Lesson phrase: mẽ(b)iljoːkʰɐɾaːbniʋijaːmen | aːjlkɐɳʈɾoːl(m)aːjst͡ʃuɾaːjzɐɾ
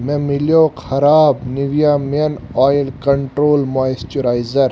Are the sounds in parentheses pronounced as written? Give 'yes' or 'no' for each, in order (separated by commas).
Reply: no, yes